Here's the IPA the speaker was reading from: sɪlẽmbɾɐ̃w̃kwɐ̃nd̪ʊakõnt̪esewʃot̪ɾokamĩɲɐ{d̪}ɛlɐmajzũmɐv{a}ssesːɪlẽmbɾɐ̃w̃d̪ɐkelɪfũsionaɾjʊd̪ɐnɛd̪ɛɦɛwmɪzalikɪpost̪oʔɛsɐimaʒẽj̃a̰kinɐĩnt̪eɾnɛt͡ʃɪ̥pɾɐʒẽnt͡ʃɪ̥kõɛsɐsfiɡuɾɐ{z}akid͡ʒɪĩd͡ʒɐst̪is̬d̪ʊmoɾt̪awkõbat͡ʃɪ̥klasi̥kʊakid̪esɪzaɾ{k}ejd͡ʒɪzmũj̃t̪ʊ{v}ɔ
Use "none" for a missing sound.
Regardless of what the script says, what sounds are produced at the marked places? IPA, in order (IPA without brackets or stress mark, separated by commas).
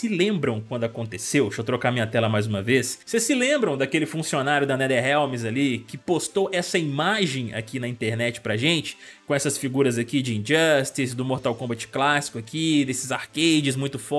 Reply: t̪, e, z, k, f